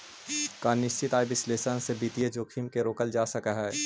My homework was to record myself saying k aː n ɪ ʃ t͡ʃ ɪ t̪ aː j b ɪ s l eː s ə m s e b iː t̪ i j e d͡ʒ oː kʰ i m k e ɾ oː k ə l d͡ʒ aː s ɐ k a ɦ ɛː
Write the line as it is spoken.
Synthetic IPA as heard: k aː n ɪ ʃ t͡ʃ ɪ t̪ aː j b ɪ s l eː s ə n s e b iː t̪ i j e d͡ʒ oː kʰ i m k e ɾ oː k ə l d͡ʒ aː s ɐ k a ɦ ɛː